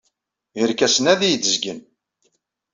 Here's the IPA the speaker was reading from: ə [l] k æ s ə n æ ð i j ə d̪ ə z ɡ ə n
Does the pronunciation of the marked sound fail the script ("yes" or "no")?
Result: yes